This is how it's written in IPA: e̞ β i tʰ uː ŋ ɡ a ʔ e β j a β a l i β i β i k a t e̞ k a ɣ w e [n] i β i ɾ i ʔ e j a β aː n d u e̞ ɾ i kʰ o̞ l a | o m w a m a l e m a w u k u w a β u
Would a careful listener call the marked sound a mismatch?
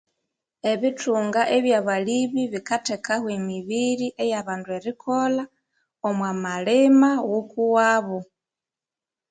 yes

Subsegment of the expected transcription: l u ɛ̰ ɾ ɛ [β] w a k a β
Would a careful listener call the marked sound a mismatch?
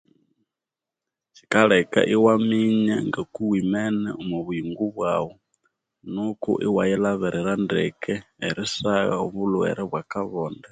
no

